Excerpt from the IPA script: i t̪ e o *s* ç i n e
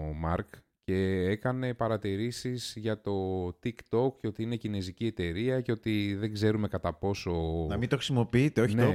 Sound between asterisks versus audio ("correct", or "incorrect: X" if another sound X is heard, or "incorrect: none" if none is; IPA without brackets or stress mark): incorrect: none